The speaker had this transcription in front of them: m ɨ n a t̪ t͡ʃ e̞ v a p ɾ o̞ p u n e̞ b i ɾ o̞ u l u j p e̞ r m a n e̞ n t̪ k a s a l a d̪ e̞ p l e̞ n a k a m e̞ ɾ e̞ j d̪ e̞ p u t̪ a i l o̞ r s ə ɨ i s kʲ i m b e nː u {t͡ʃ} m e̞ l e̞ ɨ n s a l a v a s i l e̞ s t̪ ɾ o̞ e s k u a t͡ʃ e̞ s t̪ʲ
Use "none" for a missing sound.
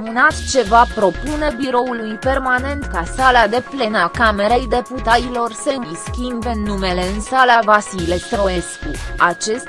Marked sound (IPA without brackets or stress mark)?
none